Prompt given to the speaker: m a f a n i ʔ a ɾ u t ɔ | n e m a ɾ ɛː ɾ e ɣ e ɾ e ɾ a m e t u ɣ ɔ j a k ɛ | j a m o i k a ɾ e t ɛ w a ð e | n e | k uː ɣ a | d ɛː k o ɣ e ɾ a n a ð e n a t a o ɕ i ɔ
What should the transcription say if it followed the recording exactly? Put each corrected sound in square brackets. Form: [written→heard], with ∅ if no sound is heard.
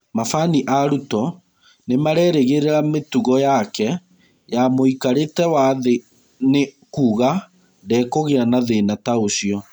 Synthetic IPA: m a f a n i ʔ a ɾ u t ɔ | n e m a ɾ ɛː ɾ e ɣ e ɾ e ɾ a m e t u ɣ ɔ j a k ɛ | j a m o i k a ɾ e t ɛ w a ð e | n e | k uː ɣ a | d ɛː k o ɣ e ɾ a n a ð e n a t a o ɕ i ɔ